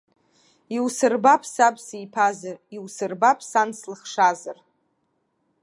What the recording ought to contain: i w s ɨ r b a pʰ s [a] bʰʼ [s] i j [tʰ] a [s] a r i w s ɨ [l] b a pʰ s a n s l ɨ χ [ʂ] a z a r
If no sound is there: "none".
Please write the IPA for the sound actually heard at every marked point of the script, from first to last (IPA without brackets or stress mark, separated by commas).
a, s, pʰ, z, r, ʂ